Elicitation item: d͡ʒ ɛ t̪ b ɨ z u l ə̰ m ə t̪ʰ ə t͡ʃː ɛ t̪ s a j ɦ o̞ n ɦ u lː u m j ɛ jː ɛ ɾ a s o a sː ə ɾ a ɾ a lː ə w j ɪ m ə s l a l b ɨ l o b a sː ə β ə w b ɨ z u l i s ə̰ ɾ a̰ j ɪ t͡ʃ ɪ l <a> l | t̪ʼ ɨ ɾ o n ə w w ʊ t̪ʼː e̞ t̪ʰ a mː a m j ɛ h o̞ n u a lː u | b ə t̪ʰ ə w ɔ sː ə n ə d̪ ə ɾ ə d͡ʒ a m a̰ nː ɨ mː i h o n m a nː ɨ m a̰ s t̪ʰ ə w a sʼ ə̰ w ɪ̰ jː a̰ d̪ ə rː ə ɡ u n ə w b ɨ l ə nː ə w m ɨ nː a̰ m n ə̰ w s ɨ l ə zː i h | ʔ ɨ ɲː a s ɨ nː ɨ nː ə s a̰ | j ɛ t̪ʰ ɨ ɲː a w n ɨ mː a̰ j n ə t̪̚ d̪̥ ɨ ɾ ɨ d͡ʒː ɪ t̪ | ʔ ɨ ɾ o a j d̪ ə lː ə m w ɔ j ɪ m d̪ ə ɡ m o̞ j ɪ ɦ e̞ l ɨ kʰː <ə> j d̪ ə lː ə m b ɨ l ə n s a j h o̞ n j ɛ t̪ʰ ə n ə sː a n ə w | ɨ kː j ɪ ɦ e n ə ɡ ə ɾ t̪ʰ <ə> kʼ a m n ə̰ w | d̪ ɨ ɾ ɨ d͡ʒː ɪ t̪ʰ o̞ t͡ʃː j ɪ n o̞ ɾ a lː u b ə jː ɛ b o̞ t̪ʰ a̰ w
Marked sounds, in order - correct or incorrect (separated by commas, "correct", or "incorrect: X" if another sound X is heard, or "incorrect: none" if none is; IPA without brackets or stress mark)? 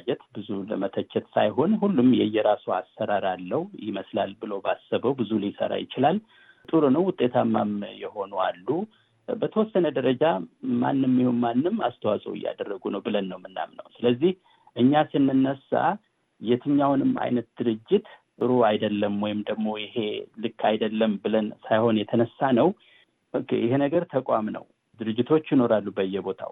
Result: correct, incorrect: a, correct